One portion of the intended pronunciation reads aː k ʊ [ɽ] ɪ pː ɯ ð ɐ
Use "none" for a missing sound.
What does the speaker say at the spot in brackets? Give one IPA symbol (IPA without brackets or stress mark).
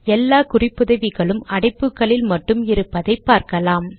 r